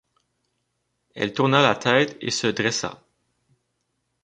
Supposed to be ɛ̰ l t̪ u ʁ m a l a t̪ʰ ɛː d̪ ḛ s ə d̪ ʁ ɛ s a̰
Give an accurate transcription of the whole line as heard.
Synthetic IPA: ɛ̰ l t̪ u ʁ n a l a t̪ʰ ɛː t̪ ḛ s ə d̪ ʁ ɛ s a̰

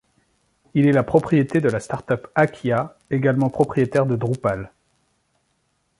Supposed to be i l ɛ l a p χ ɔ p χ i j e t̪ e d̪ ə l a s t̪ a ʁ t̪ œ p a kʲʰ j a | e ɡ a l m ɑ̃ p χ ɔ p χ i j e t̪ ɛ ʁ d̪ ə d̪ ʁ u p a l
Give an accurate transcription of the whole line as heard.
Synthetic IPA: i l ɛ l a p χ ɔ p χ i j e t̪ e d̪ ə l a s t̪ a ʁ t̪ œ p a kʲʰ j a | e ɡ a l m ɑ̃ p χ ɔ p χ i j e t̪ ɛ ʁ d̪ ə d̪ ʁ u p a l

